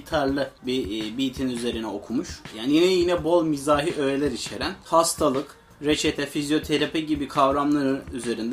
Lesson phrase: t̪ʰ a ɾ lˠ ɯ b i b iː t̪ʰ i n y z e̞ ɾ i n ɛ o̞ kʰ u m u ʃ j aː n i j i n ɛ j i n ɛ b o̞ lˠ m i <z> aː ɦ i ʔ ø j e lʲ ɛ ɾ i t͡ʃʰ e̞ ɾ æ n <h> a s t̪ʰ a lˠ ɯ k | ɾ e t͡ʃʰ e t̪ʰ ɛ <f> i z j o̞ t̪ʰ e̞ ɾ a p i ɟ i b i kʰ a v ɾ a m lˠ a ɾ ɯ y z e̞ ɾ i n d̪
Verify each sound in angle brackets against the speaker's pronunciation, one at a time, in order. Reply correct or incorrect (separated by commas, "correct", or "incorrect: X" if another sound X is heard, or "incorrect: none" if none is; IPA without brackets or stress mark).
correct, correct, correct